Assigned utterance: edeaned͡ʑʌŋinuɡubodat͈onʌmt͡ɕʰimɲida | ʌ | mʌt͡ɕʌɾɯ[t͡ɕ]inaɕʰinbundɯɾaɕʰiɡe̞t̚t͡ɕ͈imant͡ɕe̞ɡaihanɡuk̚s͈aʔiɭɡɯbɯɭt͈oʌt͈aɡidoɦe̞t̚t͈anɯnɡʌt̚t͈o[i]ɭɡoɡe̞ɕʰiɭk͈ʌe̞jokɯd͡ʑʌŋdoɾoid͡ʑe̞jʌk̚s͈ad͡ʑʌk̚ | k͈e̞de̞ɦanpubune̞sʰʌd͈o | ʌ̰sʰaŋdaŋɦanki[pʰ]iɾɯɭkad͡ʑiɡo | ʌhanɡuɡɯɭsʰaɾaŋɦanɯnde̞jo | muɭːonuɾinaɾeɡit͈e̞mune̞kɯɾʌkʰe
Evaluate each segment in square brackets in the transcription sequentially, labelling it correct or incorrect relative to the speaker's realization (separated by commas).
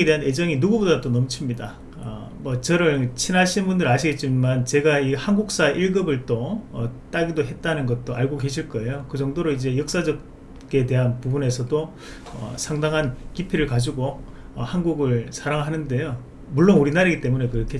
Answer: incorrect, incorrect, correct